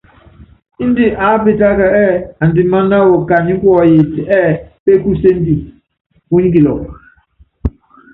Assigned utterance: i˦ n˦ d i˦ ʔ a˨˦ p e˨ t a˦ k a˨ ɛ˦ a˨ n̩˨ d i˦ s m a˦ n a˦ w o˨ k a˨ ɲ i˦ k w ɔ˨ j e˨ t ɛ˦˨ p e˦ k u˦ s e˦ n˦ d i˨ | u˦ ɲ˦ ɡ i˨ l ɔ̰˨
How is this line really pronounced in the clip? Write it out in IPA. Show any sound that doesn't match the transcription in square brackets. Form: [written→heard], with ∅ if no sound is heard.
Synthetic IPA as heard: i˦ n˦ d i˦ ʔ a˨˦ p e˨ t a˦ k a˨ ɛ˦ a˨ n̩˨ d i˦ [s→∅] m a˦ n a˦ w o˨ k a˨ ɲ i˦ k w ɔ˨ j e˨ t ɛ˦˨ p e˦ k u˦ s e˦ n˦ d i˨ | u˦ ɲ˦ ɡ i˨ l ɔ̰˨